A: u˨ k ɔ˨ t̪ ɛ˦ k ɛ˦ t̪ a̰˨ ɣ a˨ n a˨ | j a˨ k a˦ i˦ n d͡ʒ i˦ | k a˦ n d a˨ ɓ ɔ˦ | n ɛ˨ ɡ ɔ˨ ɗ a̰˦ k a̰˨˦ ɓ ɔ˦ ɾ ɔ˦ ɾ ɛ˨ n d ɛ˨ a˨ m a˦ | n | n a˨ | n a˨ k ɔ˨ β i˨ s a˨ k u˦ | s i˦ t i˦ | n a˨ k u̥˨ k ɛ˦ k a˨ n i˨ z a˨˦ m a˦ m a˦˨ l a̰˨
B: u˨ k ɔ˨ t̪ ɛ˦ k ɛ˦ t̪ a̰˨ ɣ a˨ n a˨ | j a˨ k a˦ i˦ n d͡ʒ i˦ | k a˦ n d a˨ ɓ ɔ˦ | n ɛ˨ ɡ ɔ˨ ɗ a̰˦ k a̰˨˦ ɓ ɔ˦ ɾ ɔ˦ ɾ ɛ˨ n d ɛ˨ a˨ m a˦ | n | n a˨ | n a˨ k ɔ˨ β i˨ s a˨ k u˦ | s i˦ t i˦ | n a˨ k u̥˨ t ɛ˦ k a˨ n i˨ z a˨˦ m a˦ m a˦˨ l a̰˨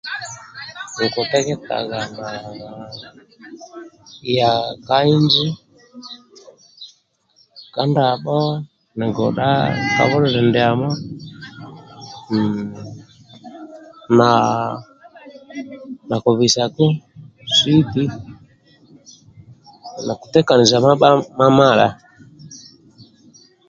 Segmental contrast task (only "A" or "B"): B